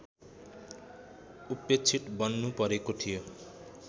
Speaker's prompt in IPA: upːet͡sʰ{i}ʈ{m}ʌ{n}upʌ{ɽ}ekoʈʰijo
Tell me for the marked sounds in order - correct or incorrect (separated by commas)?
correct, incorrect, incorrect, incorrect